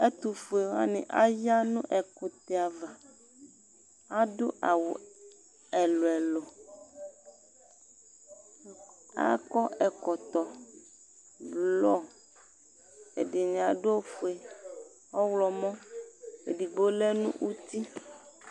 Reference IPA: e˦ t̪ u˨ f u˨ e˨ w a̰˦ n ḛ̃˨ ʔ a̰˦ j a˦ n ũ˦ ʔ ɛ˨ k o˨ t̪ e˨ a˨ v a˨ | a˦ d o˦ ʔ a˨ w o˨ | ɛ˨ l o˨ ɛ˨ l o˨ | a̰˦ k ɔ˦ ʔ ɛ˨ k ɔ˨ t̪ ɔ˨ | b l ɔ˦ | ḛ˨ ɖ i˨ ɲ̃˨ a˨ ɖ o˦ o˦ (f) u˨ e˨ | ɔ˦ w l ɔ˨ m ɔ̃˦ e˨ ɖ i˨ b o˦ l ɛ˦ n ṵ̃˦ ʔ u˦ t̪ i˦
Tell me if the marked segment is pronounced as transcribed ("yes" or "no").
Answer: yes